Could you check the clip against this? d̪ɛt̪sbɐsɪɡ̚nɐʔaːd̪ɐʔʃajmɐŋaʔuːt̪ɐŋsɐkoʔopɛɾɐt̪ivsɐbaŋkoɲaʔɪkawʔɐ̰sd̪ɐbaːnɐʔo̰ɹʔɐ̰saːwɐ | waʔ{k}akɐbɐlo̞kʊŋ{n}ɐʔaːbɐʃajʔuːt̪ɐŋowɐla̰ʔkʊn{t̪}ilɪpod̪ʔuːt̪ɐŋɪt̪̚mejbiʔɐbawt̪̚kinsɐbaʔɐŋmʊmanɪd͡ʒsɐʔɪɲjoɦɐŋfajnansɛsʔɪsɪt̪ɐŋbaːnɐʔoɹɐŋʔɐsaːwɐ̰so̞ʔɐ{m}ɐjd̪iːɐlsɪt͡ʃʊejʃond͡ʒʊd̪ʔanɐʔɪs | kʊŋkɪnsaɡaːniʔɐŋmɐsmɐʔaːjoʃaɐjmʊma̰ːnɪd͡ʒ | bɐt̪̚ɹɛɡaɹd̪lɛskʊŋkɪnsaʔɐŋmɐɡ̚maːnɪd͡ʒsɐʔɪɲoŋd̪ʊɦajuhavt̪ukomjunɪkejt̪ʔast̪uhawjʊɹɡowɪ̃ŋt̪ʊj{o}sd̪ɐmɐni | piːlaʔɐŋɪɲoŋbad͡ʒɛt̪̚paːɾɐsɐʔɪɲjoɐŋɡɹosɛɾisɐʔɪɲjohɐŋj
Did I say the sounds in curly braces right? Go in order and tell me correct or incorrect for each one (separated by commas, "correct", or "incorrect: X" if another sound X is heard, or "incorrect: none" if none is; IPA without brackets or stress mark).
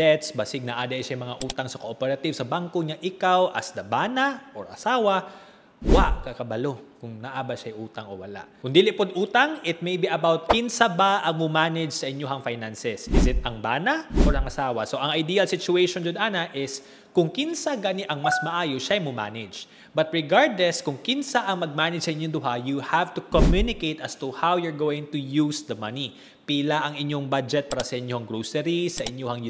correct, correct, incorrect: d̪, incorrect: ŋ, incorrect: u